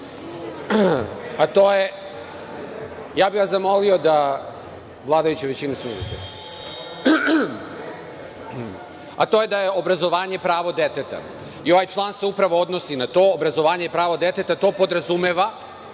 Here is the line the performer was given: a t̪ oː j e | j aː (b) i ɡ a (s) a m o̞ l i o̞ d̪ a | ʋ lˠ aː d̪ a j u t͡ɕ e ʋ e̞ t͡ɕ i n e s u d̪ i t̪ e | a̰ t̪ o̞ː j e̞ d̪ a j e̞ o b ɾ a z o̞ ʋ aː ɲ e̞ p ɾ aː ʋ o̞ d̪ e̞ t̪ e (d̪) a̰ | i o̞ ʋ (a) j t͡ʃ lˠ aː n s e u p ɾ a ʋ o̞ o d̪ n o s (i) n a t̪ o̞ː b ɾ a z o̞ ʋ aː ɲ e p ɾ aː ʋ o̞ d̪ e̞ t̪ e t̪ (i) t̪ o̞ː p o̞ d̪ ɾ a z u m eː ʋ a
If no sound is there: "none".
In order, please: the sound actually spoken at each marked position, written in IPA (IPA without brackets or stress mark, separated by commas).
b, z, t̪, a, i, a